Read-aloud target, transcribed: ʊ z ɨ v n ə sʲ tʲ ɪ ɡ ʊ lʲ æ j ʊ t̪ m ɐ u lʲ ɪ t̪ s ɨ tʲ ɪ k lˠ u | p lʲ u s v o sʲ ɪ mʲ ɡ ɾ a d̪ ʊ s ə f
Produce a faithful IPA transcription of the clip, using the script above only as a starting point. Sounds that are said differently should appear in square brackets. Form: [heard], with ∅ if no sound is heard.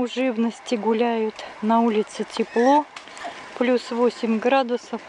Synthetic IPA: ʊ [ʐ] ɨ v n ə sʲ tʲ ɪ ɡ ʊ lʲ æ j ʊ t̪ [n] ɐ u lʲ ɪ t̪ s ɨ tʲ ɪ [p] lˠ [o] | p lʲ u s v o sʲ ɪ mʲ ɡ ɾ a d̪ ʊ s ə f

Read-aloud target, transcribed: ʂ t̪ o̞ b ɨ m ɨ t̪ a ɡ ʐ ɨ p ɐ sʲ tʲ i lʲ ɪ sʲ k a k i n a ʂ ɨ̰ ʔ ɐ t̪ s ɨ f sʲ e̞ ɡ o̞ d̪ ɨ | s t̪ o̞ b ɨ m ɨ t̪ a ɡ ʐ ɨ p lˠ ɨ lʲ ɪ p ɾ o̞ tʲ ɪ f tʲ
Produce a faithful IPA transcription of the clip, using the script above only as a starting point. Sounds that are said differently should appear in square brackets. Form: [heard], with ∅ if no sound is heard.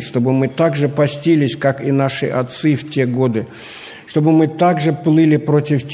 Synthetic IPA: ʂ t̪ o̞ b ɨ m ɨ t̪ a ɡ ʐ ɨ p ɐ sʲ tʲ i lʲ ɪ sʲ k a k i n a ʂ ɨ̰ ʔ ɐ t̪ s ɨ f [tʲ] e̞ ɡ o̞ d̪ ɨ | [ʂ] t̪ o̞ b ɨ m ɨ t̪ a ɡ ʐ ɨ p lˠ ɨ lʲ ɪ p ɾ o̞ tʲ ɪ f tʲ

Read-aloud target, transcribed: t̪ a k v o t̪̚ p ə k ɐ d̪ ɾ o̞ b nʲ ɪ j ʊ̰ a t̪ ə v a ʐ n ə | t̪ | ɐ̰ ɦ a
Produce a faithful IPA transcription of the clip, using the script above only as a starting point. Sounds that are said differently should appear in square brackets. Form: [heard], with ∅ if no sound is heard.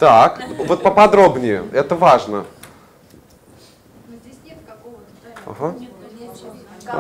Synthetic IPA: t̪ a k v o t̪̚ p ə [p] ɐ d̪ ɾ o̞ b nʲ ɪ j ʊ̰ [ɛ] t̪ ə v a ʐ n ə | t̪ | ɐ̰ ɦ a

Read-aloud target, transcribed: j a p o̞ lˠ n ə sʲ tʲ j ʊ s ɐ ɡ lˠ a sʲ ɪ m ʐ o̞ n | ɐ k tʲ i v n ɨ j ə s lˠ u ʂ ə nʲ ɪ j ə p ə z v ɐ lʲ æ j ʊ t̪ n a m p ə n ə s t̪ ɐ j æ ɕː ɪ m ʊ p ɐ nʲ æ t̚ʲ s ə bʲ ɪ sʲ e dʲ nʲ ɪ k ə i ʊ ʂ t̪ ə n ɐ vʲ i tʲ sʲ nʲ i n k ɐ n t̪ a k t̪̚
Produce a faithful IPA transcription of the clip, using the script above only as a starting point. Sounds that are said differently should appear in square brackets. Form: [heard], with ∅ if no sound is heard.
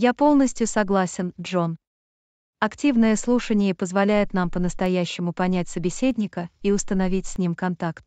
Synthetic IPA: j a p o̞ lˠ n ə sʲ tʲ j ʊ s ɐ ɡ lˠ a sʲ ɪ [n] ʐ o̞ n | ɐ k tʲ i v n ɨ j ə s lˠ u ʂ ə nʲ ɪ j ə p ə z v ɐ lʲ æ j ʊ t̪ n a m p ə n ə s t̪ ɐ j æ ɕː ɪ m ʊ p ɐ nʲ æ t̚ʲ s ə bʲ ɪ sʲ e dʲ nʲ ɪ k ə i ʊ [s] t̪ ə n ɐ vʲ i tʲ sʲ nʲ i [m] k ɐ n t̪ a k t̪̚

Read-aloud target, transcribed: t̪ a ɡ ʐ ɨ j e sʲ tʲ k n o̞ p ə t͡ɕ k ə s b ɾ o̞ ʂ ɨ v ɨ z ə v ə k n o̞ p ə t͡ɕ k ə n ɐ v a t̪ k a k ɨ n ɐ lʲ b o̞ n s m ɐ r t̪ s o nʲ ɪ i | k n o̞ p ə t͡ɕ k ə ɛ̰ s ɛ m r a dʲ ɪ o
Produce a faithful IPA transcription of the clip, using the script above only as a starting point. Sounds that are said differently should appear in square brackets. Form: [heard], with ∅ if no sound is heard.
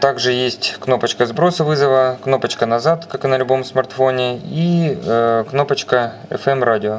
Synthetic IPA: t̪ a ɡ ʐ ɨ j e sʲ tʲ k n o̞ p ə t͡ɕ k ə [z] b ɾ o̞ [s] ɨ v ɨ z ə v ə k n o̞ p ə t͡ɕ k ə n ɐ [z] a t̪ k a k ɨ n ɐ lʲ b o̞ [m] s m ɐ r t̪ [f] o nʲ ɪ i | k n o̞ p ə t͡ɕ k ə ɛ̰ [f] ɛ m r a dʲ ɪ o

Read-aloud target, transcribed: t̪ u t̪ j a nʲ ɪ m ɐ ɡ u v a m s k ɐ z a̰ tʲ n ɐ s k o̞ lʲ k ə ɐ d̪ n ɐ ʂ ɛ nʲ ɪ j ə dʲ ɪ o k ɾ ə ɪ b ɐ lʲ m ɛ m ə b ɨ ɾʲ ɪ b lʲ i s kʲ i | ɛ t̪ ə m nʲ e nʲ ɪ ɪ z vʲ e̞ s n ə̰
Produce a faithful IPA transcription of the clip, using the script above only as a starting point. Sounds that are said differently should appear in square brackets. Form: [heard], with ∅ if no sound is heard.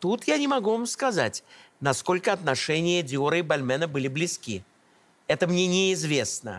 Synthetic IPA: t̪ u t̪ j a nʲ ɪ m ɐ ɡ u v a m s k ɐ z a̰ tʲ n ɐ s k o̞ lʲ k ə ɐ [t̪] n ɐ ʂ ɛ nʲ ɪ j ə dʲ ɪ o [∅] ɾ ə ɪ b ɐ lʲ m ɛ [n] ə b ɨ [lʲ] ɪ b lʲ [ɪ] s kʲ i | ɛ t̪ ə m nʲ e nʲ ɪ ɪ z vʲ e̞ s n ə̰

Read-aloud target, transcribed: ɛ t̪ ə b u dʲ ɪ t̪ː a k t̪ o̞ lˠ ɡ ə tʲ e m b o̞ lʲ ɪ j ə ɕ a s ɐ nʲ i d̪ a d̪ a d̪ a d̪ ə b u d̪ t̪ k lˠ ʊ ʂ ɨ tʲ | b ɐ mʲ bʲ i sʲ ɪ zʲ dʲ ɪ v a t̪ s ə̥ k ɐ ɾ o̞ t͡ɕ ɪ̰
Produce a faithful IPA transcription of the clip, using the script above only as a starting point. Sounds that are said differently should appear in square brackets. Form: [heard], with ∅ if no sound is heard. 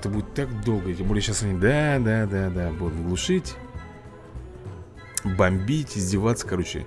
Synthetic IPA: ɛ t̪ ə b u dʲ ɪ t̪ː a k [d̪] o̞ lˠ ɡ ə tʲ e m b o̞ lʲ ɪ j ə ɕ a s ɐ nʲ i d̪ a d̪ a d̪ a d̪ [a] b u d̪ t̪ [ɡ] lˠ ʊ ʂ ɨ tʲ | b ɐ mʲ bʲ i [tʲ] ɪ zʲ dʲ ɪ v a t̪ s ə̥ k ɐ ɾ o̞ t͡ɕ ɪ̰

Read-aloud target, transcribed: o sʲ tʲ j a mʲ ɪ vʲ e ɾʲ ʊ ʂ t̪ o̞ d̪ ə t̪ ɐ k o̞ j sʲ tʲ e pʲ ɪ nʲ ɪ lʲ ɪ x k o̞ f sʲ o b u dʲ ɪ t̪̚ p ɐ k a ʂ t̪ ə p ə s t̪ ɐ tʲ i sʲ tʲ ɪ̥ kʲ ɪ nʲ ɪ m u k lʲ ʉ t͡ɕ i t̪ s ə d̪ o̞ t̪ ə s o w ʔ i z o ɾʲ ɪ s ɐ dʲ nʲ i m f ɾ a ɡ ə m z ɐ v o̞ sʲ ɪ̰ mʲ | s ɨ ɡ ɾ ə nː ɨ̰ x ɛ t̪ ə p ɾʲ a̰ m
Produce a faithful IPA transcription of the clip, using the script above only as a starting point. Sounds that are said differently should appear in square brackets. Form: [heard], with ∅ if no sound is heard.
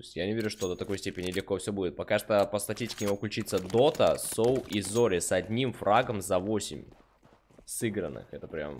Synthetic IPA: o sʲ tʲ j a [nʲ] ɪ vʲ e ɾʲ ʊ ʂ t̪ o̞ d̪ ə t̪ ɐ k o̞ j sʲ tʲ e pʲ ɪ nʲ ɪ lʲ ɪ x k o̞ f sʲ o b u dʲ ɪ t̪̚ p ɐ k a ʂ t̪ ə p ə s t̪ ɐ tʲ i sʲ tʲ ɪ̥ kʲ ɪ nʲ ɪ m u k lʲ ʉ t͡ɕ i t̪ s ə d̪ o̞ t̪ ə s o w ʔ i z o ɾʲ ɪ s ɐ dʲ nʲ i m f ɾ a ɡ ə m z ɐ v o̞ sʲ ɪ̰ mʲ | s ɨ ɡ ɾ ə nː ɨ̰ x ɛ t̪ ə p ɾʲ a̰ m

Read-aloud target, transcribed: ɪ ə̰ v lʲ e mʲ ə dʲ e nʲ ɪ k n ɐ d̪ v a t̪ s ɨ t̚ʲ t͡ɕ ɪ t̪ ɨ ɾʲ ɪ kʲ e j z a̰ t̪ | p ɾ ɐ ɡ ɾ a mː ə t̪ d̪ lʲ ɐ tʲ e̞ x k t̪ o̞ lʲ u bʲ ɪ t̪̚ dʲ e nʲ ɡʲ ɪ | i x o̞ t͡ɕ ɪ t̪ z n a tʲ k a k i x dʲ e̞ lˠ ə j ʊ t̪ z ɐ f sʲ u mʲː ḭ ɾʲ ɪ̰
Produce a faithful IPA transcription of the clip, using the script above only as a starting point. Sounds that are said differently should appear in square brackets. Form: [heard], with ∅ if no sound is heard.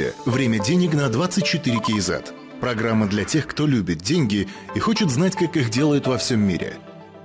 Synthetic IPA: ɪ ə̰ v [ɾʲ] e mʲ ə dʲ e nʲ ɪ k n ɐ d̪ v a t̪ s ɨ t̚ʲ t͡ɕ ɪ t̪ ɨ ɾʲ ɪ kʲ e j z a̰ t̪ | p ɾ ɐ ɡ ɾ a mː ə [∅] d̪ lʲ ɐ tʲ e̞ x k t̪ o̞ lʲ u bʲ ɪ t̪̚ dʲ e nʲ ɡʲ ɪ | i x o̞ t͡ɕ ɪ t̪ z n a tʲ k a k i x dʲ e̞ lˠ ə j ʊ t̪ [v] ɐ f sʲ [o] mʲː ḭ ɾʲ ɪ̰

